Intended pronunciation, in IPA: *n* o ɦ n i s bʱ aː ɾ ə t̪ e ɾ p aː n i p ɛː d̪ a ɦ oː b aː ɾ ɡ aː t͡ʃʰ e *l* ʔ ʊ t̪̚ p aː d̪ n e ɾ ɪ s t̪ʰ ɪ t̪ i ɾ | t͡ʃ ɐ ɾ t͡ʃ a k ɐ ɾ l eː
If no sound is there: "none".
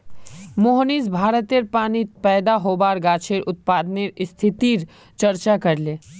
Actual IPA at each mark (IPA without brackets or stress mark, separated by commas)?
m, ɾ